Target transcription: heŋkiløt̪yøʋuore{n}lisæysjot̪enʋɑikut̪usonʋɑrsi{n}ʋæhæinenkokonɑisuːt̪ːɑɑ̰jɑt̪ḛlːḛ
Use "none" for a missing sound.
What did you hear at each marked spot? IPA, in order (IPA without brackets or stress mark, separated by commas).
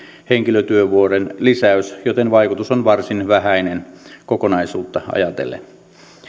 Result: n, n